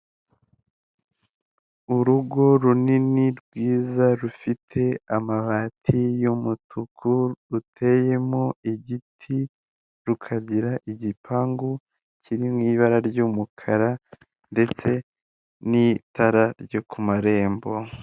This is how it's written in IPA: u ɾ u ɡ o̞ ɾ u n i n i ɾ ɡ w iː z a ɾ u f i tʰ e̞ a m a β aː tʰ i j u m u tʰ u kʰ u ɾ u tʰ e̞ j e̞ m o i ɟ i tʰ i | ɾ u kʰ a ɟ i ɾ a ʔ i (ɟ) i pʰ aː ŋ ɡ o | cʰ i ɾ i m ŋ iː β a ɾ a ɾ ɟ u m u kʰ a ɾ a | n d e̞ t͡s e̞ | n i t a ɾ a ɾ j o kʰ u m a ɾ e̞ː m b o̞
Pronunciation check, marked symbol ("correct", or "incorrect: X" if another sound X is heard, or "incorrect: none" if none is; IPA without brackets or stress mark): correct